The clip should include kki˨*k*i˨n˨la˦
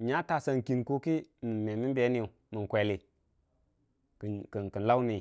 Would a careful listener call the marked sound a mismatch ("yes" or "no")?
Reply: no